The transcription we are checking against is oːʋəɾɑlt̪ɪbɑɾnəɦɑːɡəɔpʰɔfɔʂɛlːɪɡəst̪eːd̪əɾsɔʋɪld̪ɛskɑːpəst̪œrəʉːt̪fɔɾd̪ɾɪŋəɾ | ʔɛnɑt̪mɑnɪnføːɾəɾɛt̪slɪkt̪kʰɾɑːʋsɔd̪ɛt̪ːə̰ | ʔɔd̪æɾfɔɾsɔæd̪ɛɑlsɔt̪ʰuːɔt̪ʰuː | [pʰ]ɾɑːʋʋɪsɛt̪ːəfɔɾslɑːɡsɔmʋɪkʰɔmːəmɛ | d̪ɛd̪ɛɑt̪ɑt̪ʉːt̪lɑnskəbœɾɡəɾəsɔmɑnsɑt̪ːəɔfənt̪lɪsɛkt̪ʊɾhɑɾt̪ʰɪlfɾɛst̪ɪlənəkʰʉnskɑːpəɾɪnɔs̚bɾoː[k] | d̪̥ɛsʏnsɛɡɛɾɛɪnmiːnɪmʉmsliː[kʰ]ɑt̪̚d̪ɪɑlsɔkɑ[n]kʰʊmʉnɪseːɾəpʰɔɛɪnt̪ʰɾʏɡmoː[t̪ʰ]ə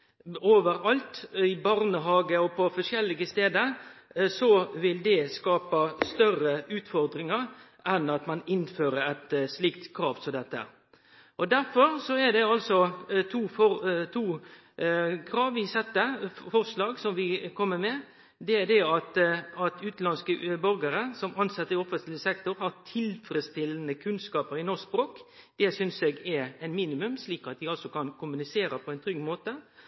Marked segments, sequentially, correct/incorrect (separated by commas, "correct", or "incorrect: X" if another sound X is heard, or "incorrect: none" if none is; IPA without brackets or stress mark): incorrect: kʰ, correct, incorrect: k, correct, incorrect: t̪